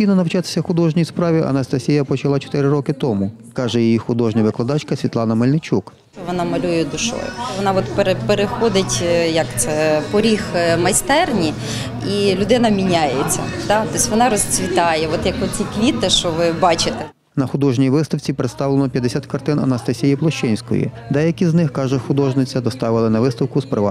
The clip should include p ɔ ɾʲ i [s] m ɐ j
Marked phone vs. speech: incorrect: x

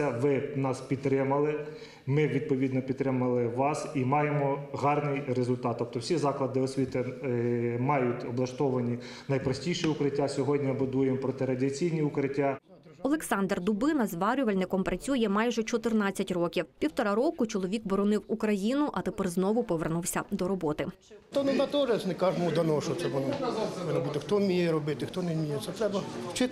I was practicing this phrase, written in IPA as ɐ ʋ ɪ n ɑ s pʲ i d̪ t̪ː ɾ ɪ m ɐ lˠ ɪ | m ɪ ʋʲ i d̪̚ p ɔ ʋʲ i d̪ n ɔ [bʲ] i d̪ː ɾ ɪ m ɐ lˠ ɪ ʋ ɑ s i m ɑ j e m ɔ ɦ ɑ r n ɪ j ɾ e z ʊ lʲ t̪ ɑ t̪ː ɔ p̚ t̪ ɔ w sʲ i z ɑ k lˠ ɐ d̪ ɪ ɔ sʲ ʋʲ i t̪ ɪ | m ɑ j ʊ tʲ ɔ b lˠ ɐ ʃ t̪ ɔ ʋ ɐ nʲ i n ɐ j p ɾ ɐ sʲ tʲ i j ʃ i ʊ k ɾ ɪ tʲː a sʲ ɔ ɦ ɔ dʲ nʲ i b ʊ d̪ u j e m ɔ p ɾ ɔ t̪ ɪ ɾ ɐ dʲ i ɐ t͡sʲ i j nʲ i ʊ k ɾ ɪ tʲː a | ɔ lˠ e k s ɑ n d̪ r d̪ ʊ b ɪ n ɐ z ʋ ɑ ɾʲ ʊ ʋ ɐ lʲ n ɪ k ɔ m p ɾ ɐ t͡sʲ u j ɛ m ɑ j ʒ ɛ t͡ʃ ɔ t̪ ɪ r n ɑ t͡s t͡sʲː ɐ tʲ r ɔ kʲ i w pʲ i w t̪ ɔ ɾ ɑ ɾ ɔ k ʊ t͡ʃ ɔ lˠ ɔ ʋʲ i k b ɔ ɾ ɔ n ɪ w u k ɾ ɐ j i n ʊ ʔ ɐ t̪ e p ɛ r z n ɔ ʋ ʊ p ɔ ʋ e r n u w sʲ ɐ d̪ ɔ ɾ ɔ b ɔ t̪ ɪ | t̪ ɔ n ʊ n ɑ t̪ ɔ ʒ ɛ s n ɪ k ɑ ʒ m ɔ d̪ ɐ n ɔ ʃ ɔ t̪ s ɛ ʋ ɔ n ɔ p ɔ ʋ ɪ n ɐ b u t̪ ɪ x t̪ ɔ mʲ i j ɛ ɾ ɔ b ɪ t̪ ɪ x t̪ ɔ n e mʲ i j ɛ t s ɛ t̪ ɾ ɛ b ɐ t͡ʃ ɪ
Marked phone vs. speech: incorrect: pʲ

